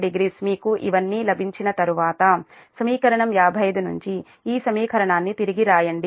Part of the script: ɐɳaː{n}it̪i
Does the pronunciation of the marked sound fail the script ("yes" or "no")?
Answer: yes